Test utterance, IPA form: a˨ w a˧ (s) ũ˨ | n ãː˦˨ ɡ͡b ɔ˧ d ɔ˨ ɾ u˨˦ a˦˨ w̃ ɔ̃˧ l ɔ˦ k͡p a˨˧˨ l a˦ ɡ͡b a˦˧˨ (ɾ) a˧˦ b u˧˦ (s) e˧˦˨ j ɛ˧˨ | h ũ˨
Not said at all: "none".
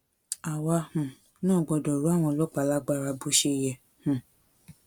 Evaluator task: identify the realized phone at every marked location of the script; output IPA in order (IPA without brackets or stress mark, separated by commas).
h, ɾ, ʃ